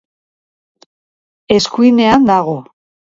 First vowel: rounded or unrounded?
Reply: unrounded